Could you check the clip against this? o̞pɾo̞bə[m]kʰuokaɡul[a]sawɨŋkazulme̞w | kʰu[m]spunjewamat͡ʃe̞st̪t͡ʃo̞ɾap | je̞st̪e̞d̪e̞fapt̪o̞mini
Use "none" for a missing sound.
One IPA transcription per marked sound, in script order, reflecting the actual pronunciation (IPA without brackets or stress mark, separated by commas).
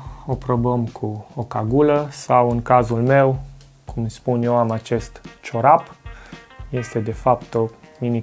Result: m, ə, m